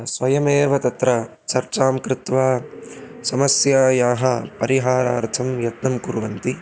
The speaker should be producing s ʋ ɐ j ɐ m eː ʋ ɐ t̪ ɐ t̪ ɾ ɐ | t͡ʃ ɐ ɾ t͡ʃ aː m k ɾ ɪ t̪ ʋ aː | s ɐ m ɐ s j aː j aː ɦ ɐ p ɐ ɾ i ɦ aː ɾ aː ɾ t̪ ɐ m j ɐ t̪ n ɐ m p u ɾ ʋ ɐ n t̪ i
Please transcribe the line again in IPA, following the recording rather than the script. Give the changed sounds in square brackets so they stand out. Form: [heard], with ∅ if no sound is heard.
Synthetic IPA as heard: s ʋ ɐ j ɐ m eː ʋ ɐ t̪ ɐ t̪ ɾ ɐ | t͡ʃ ɐ ɾ t͡ʃ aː m k ɾ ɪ t̪ ʋ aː | s ɐ m ɐ s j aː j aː ɦ ɐ p ɐ ɾ i ɦ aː ɾ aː ɾ [t̪ʰ] ɐ m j ɐ t̪ n ɐ m [k] u ɾ ʋ ɐ n t̪ i